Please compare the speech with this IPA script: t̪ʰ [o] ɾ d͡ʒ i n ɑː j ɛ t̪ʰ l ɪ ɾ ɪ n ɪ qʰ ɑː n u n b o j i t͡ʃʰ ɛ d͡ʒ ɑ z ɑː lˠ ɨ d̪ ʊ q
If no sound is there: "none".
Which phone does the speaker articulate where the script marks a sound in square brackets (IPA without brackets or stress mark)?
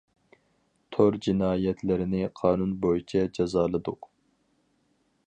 o